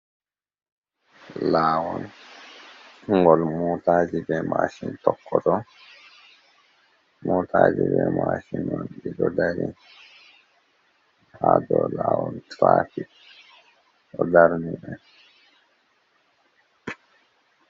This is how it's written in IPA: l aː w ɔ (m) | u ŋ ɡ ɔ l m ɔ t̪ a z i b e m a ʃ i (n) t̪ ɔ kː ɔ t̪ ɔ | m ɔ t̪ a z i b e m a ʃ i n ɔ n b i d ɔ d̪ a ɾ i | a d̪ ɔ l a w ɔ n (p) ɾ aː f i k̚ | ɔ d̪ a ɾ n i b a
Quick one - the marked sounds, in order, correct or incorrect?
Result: incorrect, correct, incorrect

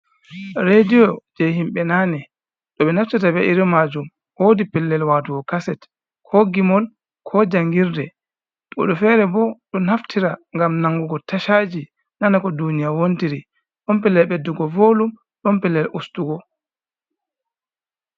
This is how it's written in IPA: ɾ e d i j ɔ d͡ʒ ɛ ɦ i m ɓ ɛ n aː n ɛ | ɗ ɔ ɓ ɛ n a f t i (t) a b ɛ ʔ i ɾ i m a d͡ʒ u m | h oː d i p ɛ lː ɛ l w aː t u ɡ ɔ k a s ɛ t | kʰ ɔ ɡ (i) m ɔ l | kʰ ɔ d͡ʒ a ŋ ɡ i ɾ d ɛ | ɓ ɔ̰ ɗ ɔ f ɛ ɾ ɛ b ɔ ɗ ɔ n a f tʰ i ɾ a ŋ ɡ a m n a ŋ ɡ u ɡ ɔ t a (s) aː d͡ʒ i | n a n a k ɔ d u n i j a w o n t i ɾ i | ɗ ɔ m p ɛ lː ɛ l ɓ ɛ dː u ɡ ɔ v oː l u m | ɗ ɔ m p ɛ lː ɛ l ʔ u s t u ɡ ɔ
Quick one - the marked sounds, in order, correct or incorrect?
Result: correct, correct, incorrect

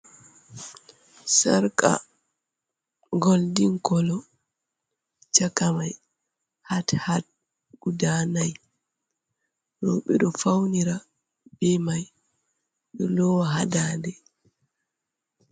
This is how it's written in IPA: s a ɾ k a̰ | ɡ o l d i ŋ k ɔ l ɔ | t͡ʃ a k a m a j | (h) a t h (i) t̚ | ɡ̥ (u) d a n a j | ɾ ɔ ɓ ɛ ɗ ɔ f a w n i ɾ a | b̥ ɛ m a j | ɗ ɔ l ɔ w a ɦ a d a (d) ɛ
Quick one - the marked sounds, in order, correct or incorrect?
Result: correct, incorrect, correct, correct

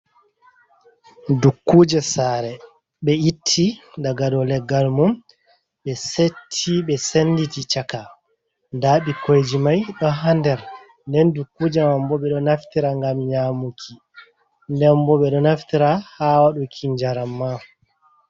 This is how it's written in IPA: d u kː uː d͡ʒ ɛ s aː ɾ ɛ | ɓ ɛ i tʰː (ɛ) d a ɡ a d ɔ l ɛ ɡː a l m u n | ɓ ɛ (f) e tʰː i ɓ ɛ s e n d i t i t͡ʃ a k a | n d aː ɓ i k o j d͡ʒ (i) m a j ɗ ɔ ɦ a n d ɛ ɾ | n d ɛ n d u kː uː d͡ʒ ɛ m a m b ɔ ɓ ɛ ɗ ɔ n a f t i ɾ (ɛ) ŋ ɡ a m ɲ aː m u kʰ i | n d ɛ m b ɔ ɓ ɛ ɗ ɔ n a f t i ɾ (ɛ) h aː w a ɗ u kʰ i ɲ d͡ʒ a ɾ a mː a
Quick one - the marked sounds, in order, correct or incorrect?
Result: incorrect, incorrect, correct, incorrect, incorrect

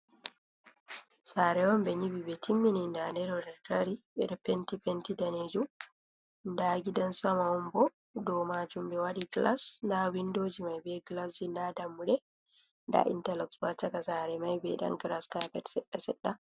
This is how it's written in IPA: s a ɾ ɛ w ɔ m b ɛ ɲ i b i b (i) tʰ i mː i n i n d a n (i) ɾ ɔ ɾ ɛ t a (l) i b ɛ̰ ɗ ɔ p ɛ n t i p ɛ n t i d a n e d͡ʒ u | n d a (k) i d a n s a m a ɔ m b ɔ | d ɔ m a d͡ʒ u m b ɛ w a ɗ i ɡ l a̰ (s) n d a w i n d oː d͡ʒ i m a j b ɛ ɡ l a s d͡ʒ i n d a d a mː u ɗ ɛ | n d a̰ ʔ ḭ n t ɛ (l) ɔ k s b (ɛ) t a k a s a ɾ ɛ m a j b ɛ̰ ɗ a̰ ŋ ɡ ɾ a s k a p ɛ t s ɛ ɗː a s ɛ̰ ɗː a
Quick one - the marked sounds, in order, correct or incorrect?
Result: incorrect, incorrect, incorrect, incorrect, correct, correct, incorrect

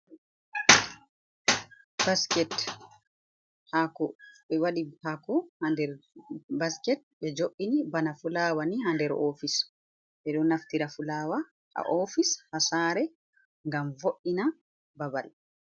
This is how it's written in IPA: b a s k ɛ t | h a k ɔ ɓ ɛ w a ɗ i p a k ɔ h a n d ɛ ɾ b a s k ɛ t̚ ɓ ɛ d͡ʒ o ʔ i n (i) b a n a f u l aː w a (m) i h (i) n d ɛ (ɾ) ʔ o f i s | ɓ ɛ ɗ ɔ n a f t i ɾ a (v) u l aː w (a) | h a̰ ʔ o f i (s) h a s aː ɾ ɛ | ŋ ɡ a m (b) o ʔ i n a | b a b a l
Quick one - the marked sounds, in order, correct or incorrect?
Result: correct, incorrect, incorrect, correct, incorrect, correct, correct, incorrect

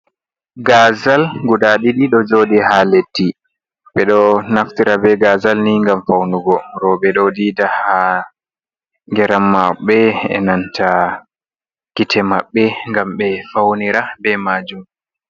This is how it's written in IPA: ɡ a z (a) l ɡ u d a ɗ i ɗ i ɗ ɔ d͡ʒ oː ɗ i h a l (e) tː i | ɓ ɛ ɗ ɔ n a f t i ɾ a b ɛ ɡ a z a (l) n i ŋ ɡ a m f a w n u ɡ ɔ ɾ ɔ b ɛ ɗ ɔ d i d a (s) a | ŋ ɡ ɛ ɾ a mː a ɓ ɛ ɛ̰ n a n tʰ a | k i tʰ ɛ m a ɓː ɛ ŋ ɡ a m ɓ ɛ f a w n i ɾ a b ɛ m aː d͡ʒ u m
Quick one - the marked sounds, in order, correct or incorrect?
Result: correct, correct, correct, incorrect

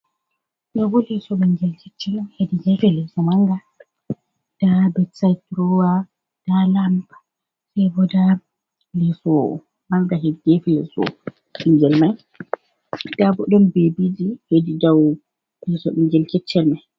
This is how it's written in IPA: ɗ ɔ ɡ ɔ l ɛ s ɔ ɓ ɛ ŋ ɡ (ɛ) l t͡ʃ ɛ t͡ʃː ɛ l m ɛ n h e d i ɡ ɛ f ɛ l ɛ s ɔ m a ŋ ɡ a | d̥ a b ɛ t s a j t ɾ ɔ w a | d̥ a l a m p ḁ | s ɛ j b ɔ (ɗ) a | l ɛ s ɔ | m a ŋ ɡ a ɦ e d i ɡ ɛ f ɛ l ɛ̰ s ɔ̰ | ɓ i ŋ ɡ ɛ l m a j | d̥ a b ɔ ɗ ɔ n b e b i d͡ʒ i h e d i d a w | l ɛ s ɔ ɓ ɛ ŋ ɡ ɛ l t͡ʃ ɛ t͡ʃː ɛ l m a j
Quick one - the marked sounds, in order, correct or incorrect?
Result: correct, incorrect

